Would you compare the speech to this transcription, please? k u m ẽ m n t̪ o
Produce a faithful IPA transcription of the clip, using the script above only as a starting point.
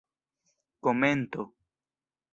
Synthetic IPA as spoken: k o m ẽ n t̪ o